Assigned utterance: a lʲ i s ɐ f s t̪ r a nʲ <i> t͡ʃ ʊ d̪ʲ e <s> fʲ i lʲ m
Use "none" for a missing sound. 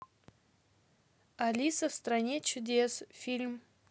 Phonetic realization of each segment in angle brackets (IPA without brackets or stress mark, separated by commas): e, s